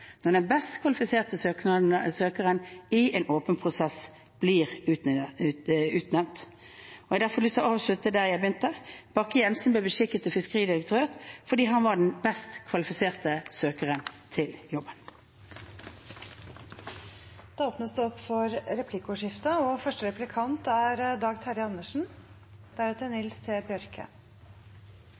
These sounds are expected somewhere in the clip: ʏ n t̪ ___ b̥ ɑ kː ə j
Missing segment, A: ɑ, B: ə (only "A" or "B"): B